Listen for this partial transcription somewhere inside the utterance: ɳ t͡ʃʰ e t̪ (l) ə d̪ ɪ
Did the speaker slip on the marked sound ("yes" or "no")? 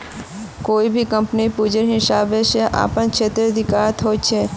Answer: yes